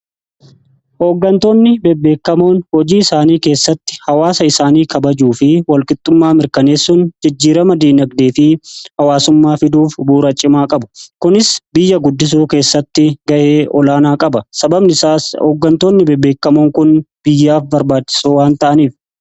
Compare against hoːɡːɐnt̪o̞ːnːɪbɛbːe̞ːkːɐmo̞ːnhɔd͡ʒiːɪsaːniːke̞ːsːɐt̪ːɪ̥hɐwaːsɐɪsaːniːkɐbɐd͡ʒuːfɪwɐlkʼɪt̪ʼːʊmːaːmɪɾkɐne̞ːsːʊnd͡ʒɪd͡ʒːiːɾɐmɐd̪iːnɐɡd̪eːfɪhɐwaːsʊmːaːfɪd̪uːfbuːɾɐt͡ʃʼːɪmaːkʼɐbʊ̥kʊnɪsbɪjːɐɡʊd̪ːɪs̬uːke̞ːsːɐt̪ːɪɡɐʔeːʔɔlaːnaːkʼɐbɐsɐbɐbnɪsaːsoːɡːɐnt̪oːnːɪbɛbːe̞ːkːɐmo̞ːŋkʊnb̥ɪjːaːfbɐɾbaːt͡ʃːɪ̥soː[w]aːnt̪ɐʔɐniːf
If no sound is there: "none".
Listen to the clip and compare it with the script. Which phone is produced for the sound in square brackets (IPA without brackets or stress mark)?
w